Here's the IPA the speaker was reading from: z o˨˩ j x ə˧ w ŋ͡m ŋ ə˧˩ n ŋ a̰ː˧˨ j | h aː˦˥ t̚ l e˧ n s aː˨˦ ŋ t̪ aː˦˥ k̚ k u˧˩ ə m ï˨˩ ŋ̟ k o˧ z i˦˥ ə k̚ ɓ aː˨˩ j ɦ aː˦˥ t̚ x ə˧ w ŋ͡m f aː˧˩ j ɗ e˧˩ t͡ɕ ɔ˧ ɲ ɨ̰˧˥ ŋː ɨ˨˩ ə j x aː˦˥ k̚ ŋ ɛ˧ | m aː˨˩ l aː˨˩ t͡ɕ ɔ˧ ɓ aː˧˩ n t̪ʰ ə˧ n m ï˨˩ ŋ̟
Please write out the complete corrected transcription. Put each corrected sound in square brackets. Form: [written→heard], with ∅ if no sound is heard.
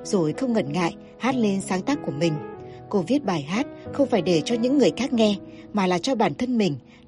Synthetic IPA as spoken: z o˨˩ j x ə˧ w ŋ͡m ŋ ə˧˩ n ŋ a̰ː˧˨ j | h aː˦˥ t̚ l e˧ n s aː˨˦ ŋ t̪ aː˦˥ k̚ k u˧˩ ə m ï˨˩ ŋ̟ k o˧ [z→v] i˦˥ ə [k̚→t̚] ɓ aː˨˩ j ɦ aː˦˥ t̚ x ə˧ w ŋ͡m f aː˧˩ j ɗ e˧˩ t͡ɕ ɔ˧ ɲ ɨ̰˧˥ ŋː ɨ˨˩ ə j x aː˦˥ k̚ ŋ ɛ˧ | m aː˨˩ l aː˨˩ t͡ɕ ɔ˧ ɓ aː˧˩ n t̪ʰ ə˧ n m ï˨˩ ŋ̟